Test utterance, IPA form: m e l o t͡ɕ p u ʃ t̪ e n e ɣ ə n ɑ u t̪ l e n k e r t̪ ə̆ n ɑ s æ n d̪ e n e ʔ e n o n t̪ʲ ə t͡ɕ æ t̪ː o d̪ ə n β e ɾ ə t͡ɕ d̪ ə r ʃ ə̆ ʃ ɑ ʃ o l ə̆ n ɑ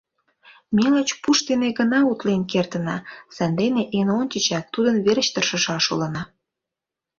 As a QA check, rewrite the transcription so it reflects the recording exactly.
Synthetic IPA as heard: m e l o t͡ɕ p u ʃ t̪ e n e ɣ ə n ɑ u t̪ l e n k e r t̪ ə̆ n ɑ s æ n d̪ e n e ʔ e n o n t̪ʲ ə t͡ɕ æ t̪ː u d̪ ə n β e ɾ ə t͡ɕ t̪ ə r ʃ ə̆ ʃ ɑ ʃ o l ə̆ n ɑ